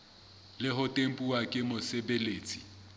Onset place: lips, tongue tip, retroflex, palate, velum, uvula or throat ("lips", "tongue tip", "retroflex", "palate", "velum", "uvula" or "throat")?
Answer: tongue tip